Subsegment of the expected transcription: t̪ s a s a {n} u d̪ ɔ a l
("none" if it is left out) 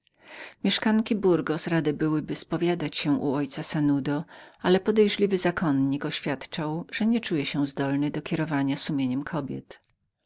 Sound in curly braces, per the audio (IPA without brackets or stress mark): n